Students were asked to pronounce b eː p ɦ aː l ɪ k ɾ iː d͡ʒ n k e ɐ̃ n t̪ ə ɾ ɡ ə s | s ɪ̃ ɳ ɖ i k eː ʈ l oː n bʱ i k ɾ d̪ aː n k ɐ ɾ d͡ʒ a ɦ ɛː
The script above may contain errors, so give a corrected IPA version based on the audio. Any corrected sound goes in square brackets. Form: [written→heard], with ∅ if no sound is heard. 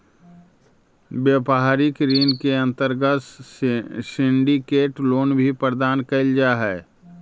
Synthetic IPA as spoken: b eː p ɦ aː [l→ɾ] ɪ k ɾ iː [d͡ʒ→∅] n k e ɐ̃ n t̪ ə ɾ ɡ ə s | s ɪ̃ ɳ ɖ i k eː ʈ l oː n bʱ i [k→p] ɾ d̪ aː n k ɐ [ɾ→l] d͡ʒ a ɦ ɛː